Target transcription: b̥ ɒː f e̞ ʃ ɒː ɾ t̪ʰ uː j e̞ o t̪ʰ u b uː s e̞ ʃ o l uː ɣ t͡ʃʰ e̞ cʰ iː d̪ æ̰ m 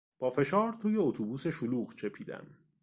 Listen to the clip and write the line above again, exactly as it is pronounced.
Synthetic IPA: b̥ ɒː f e̞ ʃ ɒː ɾ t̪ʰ uː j e̞ o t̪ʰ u b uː s e̞ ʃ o l uː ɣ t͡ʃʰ e̞ pʰ iː d̪ æ̰ m